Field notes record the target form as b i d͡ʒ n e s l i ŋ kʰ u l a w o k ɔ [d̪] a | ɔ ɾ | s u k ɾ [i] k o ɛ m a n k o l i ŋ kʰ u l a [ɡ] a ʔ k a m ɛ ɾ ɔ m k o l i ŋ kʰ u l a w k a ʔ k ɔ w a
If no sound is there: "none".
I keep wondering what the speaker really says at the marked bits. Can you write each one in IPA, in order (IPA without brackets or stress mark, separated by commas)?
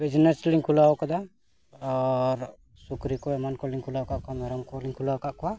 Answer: d̪, i, k